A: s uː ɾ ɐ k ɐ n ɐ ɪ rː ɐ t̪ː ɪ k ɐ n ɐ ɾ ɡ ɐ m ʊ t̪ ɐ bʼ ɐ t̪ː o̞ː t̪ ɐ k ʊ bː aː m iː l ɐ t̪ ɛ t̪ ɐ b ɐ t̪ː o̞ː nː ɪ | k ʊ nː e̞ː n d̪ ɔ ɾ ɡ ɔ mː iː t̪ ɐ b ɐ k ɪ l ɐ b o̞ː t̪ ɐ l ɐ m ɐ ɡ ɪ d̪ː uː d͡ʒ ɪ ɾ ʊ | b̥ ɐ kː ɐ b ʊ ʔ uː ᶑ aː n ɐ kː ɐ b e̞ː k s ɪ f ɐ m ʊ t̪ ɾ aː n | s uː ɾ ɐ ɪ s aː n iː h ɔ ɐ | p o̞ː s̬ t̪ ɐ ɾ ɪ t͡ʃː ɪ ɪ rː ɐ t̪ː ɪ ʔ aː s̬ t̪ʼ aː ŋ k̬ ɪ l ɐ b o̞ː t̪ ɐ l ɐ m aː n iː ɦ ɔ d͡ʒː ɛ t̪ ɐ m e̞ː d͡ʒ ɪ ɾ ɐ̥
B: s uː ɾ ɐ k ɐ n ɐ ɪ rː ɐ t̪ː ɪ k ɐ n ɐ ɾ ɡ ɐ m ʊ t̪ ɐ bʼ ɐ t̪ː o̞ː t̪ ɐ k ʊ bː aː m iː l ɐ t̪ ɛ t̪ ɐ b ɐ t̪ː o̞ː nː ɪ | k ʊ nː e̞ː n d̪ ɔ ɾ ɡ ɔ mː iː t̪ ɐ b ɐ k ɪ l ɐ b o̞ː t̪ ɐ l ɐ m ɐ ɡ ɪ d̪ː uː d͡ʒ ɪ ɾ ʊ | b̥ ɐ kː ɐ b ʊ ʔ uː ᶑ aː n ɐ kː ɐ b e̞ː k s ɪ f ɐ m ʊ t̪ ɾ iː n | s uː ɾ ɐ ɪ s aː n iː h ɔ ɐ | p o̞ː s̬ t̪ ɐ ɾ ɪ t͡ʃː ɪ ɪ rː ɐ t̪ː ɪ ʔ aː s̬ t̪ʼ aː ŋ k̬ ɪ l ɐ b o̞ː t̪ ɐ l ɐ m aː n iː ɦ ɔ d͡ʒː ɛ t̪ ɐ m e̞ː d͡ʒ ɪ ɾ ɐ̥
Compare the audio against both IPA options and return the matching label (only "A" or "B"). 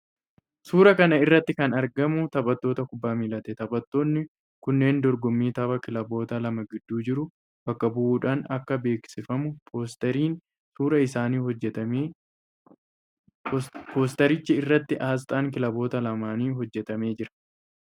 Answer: B